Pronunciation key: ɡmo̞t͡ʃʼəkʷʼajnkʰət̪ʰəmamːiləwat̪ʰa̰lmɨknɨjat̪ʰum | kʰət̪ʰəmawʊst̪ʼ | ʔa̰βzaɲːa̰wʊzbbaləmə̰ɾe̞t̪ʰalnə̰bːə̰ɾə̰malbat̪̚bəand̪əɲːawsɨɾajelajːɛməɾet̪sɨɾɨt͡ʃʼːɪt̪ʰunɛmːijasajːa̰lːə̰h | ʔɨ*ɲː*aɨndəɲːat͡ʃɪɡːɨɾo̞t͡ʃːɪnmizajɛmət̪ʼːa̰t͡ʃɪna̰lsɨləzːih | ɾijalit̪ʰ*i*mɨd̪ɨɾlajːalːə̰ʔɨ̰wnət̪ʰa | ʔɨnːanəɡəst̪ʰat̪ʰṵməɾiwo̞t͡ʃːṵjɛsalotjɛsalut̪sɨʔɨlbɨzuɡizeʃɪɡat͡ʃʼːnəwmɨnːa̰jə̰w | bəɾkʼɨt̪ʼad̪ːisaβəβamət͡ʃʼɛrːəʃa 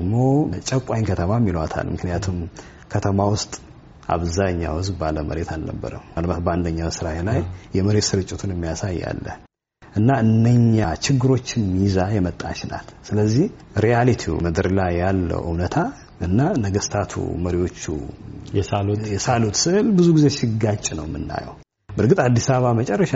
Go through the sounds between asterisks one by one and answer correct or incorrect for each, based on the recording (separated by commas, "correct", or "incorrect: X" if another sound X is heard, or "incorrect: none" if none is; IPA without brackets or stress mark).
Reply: incorrect: nː, correct